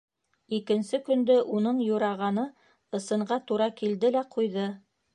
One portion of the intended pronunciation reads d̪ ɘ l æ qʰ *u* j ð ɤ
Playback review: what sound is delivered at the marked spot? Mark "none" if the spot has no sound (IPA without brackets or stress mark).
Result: u